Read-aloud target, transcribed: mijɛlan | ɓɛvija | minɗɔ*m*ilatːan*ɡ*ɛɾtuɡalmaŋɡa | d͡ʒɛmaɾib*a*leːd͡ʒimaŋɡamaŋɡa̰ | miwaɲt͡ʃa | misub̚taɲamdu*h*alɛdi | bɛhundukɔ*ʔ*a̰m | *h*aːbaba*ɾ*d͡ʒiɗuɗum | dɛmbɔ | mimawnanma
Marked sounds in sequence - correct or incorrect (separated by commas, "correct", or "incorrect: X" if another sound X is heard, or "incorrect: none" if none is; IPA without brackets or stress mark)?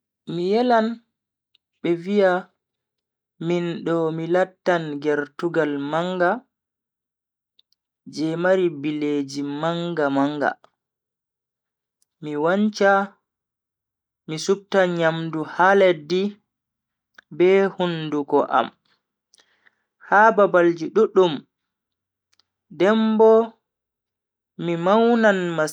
correct, correct, incorrect: i, correct, correct, correct, incorrect: l